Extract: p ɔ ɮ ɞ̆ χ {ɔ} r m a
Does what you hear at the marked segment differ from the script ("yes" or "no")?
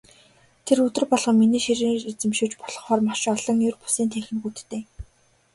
yes